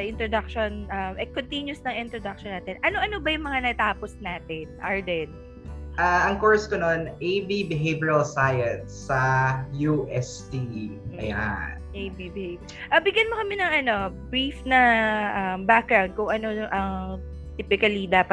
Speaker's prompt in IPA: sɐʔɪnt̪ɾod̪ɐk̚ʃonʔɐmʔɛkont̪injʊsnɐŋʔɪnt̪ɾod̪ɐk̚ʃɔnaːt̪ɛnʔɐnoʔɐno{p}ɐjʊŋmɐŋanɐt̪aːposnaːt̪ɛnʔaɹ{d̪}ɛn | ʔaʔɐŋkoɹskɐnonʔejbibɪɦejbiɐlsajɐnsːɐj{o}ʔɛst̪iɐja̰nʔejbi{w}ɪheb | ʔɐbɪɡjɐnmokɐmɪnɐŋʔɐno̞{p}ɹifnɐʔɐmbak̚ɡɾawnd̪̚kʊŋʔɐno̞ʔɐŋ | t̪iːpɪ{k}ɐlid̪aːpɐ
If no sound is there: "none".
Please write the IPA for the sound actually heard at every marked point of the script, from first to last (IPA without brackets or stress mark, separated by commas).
b, d̪, u, b, b, k